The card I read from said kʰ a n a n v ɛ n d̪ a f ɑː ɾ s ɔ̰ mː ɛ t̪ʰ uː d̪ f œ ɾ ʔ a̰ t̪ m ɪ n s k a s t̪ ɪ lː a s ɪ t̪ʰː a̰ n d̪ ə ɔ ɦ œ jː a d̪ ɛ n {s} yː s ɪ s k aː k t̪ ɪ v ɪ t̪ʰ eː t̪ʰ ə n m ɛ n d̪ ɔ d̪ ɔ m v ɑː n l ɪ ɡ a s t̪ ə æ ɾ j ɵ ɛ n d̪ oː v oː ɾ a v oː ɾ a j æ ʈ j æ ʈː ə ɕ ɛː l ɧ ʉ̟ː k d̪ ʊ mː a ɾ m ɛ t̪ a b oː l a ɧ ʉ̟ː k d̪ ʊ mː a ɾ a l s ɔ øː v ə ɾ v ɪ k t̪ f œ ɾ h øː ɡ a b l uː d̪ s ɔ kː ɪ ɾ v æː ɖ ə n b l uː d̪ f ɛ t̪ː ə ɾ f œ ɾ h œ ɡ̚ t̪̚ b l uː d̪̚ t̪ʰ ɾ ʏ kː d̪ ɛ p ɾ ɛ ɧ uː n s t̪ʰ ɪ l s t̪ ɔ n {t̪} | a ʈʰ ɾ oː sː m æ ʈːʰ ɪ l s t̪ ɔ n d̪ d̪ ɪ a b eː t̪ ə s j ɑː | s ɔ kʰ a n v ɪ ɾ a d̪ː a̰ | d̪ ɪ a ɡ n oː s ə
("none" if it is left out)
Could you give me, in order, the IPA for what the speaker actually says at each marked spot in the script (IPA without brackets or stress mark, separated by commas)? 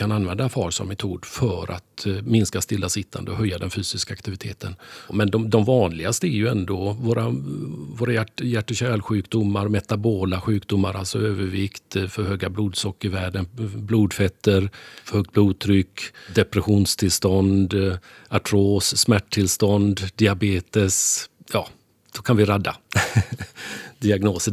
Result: f, d̪